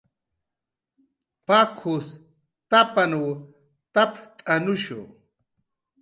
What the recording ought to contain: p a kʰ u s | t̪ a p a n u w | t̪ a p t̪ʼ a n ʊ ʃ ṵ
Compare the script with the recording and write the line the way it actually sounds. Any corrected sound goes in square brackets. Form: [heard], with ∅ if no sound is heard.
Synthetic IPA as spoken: p a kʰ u s | t̪ a p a n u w | t̪ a p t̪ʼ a n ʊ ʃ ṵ